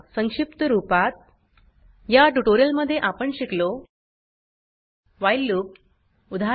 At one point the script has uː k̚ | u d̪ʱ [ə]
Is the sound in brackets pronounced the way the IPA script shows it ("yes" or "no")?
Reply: no